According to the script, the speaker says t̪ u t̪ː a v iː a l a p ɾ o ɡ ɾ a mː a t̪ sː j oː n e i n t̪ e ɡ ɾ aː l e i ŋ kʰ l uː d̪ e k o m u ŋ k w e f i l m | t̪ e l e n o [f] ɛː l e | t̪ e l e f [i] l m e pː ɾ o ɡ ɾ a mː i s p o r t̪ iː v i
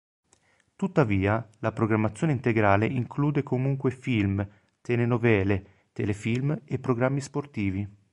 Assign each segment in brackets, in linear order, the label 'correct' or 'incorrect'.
incorrect, correct

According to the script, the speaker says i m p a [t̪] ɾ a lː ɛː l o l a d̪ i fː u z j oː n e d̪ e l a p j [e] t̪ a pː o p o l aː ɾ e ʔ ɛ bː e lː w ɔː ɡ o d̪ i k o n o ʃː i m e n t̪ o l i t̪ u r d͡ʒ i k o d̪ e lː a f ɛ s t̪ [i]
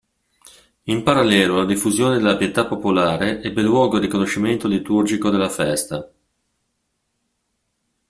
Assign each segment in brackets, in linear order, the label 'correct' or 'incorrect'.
incorrect, correct, incorrect

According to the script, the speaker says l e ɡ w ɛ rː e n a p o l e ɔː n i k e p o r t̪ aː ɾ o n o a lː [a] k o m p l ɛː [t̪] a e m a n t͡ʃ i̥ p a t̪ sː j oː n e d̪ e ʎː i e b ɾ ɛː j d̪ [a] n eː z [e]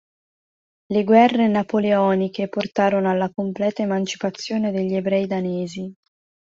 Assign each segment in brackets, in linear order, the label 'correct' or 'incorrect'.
correct, correct, correct, incorrect

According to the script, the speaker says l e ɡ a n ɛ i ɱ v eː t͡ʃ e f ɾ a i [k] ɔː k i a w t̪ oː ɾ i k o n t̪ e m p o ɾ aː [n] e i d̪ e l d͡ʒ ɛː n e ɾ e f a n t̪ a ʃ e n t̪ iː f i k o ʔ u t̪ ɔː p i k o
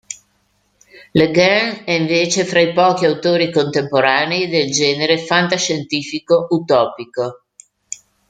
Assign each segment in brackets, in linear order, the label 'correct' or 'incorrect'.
incorrect, correct

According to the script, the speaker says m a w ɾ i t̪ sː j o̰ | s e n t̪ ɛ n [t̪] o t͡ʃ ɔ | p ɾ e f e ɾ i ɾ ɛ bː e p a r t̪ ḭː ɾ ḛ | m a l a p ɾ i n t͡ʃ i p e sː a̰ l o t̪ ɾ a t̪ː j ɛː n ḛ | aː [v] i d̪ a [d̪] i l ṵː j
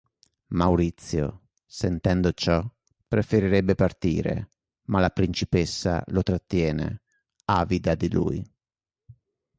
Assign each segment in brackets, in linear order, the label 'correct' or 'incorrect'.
incorrect, correct, correct

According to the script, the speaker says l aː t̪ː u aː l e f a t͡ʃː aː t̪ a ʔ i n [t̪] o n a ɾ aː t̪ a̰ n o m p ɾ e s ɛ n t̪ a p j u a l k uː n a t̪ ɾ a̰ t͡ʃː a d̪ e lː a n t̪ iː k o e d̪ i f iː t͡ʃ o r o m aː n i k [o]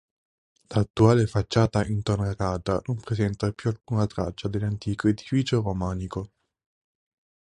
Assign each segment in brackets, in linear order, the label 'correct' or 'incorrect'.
correct, correct

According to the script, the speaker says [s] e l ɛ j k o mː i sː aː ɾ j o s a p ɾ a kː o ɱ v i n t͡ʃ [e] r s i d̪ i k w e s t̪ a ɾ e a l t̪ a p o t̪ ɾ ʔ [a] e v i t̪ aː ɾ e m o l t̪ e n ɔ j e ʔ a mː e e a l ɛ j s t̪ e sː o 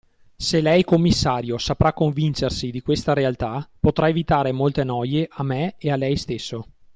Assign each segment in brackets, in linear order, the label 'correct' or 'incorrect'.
correct, correct, correct

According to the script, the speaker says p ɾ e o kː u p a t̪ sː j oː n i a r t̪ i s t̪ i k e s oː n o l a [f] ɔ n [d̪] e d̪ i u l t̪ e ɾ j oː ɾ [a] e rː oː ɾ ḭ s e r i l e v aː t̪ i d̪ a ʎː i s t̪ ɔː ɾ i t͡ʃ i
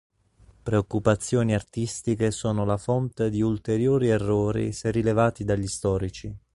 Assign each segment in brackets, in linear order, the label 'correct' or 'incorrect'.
correct, incorrect, incorrect

